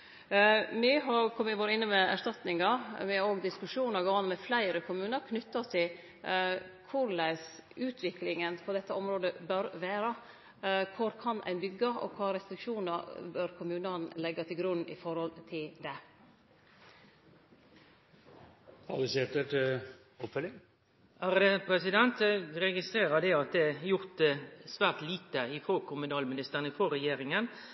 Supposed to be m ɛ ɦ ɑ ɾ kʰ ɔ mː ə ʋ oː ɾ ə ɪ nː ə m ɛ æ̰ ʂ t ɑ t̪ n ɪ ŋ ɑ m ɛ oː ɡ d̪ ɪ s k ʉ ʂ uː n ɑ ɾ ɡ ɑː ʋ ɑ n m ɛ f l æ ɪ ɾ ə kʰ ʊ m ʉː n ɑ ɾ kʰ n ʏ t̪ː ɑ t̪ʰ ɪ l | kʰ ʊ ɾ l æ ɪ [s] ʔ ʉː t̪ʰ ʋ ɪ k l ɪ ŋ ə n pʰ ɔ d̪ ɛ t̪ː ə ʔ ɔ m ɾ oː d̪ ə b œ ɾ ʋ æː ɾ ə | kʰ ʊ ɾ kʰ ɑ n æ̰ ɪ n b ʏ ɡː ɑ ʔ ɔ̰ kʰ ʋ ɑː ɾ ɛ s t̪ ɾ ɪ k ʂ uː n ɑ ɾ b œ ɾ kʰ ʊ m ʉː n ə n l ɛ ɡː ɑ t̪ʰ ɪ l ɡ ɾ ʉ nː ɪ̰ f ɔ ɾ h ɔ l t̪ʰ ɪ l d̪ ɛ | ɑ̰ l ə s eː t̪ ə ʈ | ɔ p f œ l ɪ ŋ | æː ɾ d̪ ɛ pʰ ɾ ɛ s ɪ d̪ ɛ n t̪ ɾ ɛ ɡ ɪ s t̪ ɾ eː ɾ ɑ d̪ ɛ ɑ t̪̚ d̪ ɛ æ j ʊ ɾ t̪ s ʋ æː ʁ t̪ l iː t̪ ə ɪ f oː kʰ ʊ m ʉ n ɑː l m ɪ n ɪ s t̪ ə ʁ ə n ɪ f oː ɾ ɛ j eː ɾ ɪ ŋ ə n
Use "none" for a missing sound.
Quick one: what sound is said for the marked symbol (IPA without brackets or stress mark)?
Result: s